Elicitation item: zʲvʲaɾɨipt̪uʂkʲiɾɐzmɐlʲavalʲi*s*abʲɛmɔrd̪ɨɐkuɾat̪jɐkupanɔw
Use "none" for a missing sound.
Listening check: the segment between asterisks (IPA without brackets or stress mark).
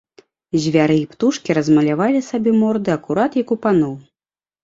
s